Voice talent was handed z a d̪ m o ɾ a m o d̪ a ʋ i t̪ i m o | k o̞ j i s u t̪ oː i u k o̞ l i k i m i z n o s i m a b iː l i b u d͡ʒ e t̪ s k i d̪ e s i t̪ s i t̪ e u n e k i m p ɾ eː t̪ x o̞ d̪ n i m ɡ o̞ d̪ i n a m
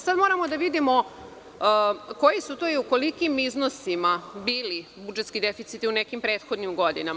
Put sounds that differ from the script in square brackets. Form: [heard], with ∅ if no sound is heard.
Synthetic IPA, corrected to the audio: [s] a d̪ m o ɾ a m o d̪ a ʋ i [d̪] i m o | k o̞ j i s u t̪ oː i u k o̞ l i k i m i z n o s i m a b iː l i b u d͡ʒ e t̪ s k i d̪ e [f] i t̪ s i t̪ [i] u n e k i m p ɾ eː t̪ x o̞ d̪ n i m ɡ o̞ d̪ i n a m